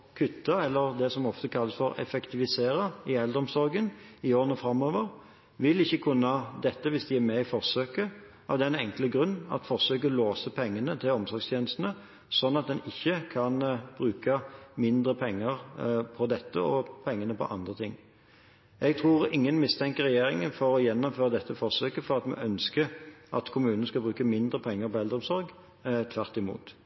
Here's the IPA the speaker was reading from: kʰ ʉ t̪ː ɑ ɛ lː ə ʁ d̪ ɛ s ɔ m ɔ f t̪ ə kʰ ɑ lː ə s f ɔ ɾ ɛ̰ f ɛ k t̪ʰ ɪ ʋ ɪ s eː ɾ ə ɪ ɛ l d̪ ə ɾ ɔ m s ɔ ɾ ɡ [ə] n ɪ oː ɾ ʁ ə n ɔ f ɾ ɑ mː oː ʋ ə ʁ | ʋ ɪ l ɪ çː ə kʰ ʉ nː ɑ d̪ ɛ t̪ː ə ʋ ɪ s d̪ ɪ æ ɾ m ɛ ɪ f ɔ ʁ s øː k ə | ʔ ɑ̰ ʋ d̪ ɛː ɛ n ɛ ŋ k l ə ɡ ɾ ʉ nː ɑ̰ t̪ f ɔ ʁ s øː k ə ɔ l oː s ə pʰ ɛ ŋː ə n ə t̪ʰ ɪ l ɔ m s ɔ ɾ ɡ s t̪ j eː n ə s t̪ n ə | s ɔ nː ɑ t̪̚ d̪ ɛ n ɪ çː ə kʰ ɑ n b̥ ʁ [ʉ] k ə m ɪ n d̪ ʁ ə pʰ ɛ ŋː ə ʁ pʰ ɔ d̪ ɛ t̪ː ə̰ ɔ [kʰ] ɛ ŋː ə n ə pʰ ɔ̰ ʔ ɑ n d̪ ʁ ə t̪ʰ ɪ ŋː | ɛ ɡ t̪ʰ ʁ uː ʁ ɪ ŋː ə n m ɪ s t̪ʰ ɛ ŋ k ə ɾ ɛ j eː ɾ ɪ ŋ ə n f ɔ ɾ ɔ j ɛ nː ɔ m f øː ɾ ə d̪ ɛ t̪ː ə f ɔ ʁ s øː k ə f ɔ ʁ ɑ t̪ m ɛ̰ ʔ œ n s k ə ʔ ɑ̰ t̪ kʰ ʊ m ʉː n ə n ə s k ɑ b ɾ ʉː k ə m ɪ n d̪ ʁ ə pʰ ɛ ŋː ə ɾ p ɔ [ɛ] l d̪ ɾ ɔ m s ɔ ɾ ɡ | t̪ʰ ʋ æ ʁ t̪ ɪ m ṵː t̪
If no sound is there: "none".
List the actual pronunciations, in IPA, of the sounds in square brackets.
ə, ʉː, pʰ, ɛ

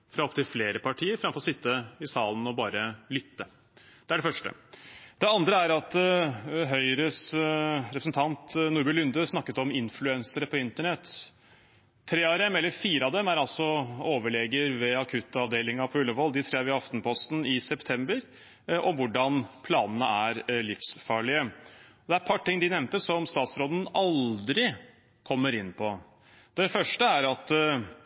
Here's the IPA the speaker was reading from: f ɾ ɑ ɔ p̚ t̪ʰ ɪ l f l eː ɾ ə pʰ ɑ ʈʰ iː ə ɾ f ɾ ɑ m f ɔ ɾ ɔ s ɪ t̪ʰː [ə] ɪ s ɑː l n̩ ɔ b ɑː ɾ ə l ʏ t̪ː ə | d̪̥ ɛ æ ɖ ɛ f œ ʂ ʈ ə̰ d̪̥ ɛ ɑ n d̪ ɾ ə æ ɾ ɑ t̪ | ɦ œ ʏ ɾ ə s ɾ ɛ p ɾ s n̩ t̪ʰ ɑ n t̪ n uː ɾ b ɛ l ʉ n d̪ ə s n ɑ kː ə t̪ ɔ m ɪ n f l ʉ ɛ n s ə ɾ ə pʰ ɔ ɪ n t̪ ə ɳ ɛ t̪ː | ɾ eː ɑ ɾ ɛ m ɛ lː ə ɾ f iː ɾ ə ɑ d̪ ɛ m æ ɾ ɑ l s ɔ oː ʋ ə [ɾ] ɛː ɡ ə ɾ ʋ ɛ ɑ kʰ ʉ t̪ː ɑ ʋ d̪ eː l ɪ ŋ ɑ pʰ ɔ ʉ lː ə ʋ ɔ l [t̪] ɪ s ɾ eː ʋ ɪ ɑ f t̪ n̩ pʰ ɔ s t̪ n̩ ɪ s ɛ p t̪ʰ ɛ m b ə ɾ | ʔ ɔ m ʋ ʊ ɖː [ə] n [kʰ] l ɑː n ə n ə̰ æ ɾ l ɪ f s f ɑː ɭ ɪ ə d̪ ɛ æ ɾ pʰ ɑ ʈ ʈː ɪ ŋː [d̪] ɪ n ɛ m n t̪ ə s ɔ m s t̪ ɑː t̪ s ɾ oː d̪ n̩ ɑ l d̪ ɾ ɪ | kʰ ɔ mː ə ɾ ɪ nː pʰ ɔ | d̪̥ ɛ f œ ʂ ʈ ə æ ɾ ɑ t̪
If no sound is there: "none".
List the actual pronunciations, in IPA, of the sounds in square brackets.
ə, ɭ, d̪, ɑ, pʰ, d̪

